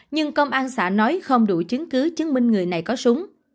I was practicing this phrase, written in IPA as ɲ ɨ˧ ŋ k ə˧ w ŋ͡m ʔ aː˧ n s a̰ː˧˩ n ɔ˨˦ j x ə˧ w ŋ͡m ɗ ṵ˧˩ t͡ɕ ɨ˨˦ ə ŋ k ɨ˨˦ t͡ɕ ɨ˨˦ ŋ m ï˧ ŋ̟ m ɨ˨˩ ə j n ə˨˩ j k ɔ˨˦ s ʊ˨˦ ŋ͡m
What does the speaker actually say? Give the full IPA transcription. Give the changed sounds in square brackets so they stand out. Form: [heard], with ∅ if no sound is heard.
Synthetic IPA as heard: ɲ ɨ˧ ŋ k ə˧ w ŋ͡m ʔ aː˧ n s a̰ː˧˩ n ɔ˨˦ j x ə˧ w ŋ͡m ɗ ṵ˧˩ t͡ɕ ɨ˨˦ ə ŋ k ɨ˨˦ t͡ɕ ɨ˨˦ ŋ m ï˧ ŋ̟ [ŋ] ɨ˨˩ ə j n [a˨˩] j k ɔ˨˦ s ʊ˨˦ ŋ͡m